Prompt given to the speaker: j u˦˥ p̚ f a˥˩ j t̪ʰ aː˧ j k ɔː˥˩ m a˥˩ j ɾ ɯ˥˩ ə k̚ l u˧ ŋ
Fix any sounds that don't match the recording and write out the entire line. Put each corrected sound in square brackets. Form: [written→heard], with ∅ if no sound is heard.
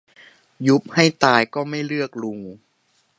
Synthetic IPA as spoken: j u˦˥ p̚ [f→h] a˥˩ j [t̪ʰ→t̪] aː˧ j k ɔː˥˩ m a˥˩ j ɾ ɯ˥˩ ə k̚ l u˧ ŋ